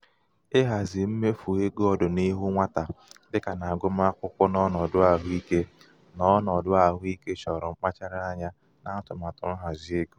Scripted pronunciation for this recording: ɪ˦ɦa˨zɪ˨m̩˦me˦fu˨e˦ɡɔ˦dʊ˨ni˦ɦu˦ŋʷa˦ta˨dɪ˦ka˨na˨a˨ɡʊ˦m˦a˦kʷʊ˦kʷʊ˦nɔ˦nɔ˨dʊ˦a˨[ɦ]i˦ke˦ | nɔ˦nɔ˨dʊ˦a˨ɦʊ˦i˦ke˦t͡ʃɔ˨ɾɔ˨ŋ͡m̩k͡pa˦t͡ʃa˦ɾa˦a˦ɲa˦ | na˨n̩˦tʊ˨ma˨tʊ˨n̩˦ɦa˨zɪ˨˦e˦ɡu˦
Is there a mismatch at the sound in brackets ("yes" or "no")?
no